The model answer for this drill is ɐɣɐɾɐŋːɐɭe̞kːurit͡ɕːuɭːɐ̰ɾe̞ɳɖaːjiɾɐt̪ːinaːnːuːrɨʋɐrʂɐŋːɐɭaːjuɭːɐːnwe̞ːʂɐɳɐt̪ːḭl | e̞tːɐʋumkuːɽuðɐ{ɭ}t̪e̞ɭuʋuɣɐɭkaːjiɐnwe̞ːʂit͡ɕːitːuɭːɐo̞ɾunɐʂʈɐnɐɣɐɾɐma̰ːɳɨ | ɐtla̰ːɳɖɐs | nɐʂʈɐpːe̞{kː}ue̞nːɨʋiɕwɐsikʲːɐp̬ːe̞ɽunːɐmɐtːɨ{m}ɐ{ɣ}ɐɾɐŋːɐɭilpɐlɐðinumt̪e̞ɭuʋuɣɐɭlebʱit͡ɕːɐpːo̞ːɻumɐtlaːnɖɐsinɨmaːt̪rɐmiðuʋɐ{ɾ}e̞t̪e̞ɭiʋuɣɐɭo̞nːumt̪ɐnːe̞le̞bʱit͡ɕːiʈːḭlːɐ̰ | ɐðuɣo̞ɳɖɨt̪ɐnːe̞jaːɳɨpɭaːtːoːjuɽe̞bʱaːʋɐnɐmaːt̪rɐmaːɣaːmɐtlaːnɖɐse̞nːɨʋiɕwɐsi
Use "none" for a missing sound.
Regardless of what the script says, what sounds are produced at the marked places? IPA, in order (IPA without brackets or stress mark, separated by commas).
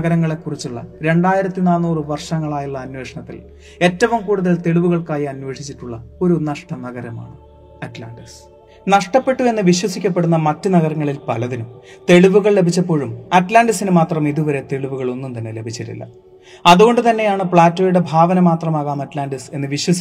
l, ʈː, n, ɣ, ɾ